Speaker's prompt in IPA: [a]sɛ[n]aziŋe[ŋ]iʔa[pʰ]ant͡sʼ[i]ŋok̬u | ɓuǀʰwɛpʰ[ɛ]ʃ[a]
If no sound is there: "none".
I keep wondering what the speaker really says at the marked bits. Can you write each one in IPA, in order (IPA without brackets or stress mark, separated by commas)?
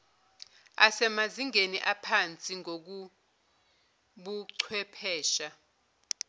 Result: a, m, n, pʰ, i, ɛː, a